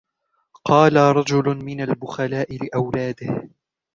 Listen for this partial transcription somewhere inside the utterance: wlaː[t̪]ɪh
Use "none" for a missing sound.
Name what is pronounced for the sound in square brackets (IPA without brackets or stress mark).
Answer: d̪